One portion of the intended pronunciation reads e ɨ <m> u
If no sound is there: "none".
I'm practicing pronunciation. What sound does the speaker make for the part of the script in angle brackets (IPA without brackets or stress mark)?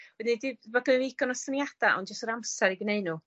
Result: n